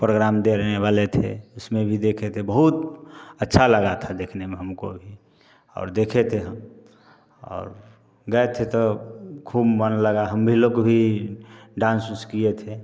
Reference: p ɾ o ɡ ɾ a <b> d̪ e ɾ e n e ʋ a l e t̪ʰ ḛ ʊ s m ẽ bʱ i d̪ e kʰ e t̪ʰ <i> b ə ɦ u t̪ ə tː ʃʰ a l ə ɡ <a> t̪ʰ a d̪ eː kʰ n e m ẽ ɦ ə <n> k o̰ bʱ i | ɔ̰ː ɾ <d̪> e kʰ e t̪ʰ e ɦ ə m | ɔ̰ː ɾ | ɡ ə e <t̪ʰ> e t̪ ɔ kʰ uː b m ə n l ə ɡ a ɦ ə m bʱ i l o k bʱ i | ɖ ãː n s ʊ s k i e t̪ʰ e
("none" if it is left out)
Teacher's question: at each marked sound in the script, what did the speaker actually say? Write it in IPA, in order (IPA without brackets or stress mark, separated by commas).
m, e, a, m, d̪, t̪ʰ